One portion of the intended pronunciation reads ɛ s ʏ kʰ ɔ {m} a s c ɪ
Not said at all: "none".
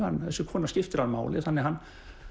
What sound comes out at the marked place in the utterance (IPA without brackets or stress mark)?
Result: n